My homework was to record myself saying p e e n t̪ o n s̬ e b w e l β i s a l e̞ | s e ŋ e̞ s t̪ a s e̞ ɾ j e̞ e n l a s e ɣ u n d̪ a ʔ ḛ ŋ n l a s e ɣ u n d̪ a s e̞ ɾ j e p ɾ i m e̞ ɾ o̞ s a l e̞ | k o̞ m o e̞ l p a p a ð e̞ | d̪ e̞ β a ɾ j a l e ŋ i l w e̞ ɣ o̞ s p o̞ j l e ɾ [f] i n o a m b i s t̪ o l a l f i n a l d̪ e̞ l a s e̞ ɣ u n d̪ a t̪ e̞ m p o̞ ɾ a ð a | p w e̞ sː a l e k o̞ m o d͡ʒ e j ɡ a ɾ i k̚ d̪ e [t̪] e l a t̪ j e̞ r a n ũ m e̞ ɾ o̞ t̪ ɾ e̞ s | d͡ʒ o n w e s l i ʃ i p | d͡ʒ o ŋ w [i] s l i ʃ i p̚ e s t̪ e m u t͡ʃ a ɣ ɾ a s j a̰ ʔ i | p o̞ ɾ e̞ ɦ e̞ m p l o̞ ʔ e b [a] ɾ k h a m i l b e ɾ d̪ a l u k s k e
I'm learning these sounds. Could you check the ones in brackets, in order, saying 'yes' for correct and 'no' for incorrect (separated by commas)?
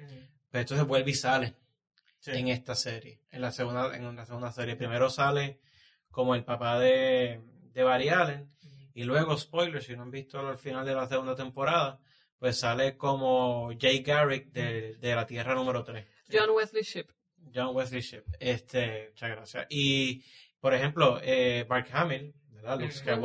no, no, no, yes